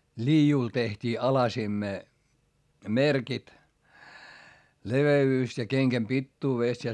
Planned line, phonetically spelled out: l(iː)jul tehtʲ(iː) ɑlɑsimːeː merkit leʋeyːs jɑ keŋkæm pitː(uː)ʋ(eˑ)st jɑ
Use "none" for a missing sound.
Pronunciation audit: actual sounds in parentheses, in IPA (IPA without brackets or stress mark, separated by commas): iː, iː, uː, eˑ